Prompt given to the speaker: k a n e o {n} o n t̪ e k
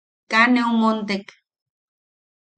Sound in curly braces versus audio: incorrect: m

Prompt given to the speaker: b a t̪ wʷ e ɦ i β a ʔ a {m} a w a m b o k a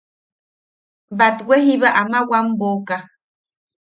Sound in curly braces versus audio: correct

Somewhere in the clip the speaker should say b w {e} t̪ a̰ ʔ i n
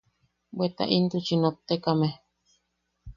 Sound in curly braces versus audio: correct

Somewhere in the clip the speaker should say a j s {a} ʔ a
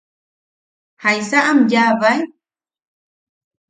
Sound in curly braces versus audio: correct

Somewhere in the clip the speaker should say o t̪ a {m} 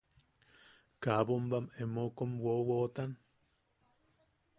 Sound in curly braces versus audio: incorrect: n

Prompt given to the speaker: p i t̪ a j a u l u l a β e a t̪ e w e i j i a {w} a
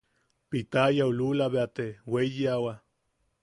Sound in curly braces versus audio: correct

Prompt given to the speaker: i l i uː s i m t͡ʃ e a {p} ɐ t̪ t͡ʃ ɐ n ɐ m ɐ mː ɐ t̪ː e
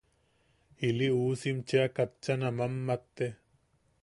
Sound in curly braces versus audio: incorrect: k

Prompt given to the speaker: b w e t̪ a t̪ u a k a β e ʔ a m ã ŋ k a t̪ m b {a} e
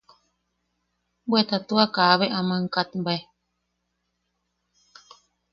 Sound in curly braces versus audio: correct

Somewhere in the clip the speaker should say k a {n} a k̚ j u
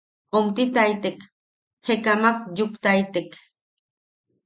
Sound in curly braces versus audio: incorrect: m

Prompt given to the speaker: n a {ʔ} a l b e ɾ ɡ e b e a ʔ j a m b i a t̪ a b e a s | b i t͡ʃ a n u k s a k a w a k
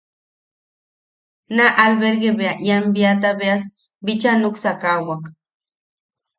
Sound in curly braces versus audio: correct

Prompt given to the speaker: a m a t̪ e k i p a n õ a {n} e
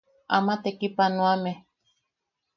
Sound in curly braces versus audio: incorrect: m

